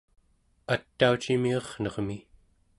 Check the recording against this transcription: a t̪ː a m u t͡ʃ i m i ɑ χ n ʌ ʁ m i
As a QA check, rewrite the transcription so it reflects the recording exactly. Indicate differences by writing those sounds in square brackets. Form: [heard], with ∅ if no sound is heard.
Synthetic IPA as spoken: a t̪ː a [∅] u t͡ʃ i m i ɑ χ n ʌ ʁ m i